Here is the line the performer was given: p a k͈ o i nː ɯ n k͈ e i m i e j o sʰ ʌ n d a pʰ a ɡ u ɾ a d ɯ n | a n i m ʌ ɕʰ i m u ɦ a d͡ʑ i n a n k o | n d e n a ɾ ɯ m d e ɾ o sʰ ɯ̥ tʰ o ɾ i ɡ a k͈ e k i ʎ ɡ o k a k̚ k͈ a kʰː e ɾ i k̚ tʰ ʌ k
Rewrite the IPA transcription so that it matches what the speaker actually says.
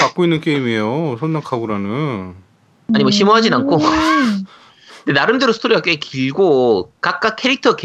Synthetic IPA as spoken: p a k͈ o i nː ɯ n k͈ e i m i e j o sʰ ʌ n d a kʰ a ɡ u ɾ a n ɯ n | a ɲ i m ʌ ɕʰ i m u ɦ a d͡ʑ i n a n kʰ o | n d e n a ɾ ɯ m d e ɾ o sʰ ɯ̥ tʰ o ɾ i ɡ a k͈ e k i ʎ ɡ o k a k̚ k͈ a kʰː e ɾ i k̚ tʰ ʌ k